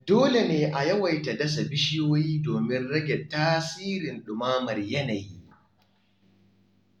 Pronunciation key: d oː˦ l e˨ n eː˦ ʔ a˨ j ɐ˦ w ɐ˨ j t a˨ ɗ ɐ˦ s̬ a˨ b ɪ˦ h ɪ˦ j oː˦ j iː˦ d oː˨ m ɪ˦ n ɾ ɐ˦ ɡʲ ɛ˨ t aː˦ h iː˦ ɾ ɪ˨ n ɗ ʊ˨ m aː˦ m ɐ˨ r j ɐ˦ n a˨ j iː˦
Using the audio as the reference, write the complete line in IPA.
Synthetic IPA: d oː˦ l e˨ n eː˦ ʔ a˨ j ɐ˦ w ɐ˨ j t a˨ d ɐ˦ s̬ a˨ b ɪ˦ ʃ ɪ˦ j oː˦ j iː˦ d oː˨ m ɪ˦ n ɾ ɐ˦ ɡʲ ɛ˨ t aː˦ s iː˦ ɾ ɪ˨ n ɗ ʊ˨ m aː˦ m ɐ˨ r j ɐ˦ n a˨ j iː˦